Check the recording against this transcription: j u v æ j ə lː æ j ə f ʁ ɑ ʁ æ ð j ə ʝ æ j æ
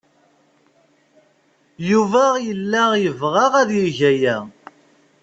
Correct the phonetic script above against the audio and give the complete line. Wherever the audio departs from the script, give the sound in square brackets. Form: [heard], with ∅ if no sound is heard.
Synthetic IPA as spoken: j u v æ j ə lː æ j ə [v] ʁ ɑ ʁ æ ð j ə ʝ æ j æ